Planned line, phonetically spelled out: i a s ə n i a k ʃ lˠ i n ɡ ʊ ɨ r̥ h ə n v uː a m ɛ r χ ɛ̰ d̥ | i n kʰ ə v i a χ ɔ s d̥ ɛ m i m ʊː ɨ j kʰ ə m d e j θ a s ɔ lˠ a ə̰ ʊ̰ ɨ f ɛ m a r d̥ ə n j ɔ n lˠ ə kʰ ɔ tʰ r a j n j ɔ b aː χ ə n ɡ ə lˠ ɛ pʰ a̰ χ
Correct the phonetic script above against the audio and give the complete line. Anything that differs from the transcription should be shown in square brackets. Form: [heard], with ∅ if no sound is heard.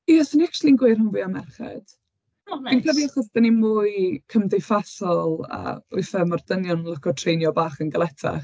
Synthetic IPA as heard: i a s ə n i a k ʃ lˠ i n ɡ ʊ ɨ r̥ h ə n v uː a m ɛ r χ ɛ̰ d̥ | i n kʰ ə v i a χ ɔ s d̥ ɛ [n] i m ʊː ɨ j kʰ ə m d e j [f] a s ɔ lˠ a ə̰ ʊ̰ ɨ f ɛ m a r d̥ ə n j ɔ n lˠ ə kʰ ɔ tʰ r [e] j n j ɔ b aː χ ə n ɡ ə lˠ ɛ [tʰ] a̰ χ